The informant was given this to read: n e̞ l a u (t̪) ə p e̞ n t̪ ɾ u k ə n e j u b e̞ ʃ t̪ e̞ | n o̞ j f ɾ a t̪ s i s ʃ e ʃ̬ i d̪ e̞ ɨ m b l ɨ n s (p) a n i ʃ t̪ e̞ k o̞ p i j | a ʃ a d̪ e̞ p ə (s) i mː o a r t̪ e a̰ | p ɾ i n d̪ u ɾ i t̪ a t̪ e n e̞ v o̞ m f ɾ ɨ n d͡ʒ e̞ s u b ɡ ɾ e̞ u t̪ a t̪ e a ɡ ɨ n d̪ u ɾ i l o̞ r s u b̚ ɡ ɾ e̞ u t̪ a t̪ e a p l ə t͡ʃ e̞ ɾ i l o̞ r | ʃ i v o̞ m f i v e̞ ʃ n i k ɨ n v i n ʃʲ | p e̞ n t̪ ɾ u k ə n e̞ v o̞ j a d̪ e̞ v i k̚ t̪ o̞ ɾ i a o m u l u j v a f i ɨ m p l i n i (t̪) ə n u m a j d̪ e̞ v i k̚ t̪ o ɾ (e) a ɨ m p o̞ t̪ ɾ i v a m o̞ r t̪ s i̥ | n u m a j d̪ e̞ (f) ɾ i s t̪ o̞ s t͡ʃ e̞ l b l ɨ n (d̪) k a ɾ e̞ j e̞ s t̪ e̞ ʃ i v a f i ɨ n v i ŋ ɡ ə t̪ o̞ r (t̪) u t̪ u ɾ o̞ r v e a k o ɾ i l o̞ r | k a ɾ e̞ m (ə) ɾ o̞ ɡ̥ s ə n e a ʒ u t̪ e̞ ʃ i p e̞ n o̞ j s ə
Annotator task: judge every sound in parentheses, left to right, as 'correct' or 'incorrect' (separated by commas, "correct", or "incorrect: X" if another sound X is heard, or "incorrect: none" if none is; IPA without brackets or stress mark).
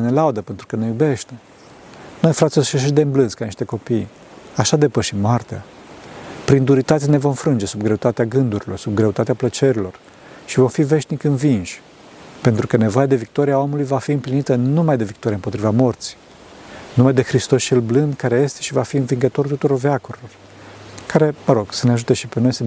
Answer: incorrect: d̪, incorrect: k, incorrect: ʃ, correct, incorrect: i, incorrect: x, correct, correct, correct